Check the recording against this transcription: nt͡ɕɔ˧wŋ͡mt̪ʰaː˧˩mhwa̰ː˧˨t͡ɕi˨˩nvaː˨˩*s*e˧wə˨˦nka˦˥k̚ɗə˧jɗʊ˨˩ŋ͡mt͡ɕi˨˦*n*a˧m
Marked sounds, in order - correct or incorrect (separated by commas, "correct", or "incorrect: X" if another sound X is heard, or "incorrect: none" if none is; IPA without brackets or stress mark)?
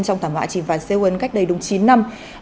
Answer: correct, incorrect: nː